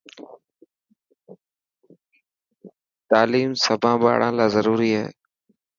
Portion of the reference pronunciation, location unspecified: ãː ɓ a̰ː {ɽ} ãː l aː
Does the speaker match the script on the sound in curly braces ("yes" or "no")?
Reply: yes